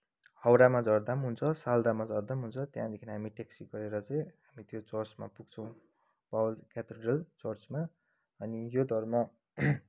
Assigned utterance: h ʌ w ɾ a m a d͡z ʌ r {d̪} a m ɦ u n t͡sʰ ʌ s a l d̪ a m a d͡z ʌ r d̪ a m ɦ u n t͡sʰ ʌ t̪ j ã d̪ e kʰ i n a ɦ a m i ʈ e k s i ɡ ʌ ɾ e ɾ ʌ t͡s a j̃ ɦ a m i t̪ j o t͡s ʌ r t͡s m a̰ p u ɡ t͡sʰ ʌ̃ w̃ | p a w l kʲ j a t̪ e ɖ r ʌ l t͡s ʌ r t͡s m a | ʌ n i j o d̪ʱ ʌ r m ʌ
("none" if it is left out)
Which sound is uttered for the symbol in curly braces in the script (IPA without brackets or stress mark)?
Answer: d̪